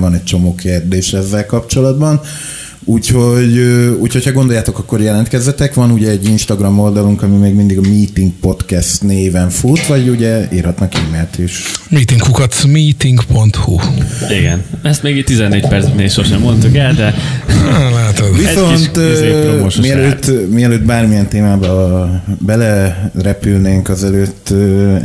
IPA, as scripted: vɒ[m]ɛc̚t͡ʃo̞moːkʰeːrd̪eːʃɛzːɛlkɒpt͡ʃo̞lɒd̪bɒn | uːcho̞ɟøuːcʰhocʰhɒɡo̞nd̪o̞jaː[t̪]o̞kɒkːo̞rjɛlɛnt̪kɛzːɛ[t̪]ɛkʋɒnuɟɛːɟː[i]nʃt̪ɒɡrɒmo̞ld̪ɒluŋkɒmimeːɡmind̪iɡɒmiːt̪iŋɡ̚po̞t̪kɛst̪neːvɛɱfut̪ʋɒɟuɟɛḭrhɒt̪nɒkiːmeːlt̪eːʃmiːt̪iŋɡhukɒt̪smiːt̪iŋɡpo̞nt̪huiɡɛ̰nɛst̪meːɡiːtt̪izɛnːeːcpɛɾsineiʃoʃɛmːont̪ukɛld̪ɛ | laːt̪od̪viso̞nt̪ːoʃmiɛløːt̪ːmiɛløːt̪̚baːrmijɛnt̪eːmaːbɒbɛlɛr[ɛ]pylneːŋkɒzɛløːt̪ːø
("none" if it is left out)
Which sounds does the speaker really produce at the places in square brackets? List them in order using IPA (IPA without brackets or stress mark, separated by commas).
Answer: n, t̪, t̪, i, ɛ